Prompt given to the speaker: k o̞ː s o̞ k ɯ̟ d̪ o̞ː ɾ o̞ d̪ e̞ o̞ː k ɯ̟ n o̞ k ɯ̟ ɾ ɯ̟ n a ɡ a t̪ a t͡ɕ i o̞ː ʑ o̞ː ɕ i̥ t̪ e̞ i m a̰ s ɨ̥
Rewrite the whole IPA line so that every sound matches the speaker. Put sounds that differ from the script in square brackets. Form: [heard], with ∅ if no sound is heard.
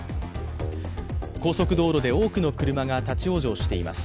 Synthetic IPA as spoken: k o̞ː s o̞ k ɯ̟ d̪ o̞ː ɾ o̞ d̪ e̞ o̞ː k ɯ̟ n o̞ k ɯ̟ ɾ ɯ̟ [m] a ɡ a t̪ a t͡ɕ i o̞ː ʑ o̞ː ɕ i̥ t̪ e̞ i m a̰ s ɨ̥